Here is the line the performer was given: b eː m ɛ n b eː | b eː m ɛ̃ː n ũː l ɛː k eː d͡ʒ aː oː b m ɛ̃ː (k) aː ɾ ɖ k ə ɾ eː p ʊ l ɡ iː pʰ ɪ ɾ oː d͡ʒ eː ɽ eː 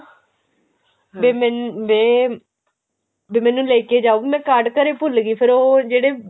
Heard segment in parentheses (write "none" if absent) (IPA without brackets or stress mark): k